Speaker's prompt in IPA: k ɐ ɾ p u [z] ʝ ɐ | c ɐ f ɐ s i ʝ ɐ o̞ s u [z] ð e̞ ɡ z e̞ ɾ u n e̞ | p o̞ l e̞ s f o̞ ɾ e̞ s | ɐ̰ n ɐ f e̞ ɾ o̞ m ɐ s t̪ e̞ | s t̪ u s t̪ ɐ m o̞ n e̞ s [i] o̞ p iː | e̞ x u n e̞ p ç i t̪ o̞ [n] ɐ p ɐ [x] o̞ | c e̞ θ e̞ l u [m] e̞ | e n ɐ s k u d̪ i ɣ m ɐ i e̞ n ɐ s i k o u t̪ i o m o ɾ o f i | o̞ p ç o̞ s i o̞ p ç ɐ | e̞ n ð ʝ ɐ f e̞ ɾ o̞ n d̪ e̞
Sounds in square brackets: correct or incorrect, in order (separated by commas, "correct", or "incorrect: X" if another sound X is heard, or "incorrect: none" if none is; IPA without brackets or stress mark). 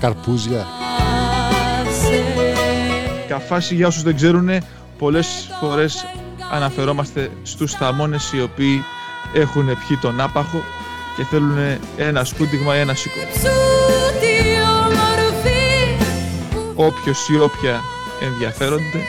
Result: correct, correct, correct, correct, correct, incorrect: n